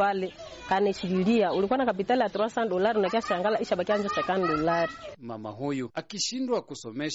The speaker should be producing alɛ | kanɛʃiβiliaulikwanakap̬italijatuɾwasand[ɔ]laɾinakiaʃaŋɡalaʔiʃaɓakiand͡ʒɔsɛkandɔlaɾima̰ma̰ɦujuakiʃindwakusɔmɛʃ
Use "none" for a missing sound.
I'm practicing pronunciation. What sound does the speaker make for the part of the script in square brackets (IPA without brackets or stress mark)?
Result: ɔ